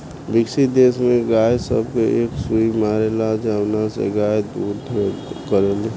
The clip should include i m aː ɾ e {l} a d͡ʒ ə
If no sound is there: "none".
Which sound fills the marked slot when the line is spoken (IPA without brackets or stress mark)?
l